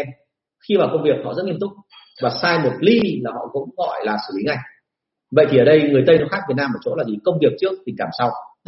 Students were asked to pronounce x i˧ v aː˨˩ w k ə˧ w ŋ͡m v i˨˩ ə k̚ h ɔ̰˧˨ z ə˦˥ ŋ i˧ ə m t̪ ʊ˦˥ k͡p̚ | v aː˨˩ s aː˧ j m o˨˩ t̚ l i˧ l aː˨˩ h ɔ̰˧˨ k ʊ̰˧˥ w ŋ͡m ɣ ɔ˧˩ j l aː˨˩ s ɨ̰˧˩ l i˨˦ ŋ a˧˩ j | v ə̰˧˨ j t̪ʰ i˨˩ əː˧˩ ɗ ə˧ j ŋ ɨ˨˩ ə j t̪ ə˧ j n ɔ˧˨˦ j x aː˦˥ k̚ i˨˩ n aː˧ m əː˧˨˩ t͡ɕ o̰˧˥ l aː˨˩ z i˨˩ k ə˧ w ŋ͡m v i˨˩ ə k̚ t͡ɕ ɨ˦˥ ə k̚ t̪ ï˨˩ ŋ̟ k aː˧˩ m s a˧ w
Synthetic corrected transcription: x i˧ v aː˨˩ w k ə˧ w ŋ͡m v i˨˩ ə k̚ h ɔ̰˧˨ z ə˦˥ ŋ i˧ ə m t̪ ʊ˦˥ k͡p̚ | v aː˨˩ s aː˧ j m o˨˩ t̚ l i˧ l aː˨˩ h ɔ̰˧˨ k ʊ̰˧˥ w ŋ͡m ɣ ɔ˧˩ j l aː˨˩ s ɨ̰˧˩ l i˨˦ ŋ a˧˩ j | v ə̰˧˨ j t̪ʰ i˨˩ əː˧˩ ɗ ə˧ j ŋ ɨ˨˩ ə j t̪ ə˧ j n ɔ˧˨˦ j x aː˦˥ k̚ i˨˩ n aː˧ m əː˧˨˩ t͡ɕ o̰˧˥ l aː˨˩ z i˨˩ k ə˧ w ŋ͡m v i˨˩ ə k̚ t͡ɕ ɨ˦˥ ə k̚ t̪ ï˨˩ ŋ̟ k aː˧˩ m s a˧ w